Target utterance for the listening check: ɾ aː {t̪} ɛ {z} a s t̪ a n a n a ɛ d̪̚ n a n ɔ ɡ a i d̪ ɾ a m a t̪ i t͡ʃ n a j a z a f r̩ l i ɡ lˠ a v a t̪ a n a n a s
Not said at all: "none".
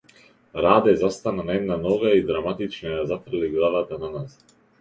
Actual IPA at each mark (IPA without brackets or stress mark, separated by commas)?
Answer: d̪, z